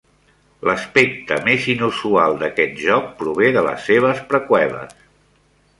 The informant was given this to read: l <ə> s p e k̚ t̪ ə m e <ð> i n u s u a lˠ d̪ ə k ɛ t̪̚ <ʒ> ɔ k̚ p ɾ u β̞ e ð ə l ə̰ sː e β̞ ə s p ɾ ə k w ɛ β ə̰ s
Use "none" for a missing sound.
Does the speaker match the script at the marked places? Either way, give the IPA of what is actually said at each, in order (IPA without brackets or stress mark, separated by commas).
ə, z, ʒ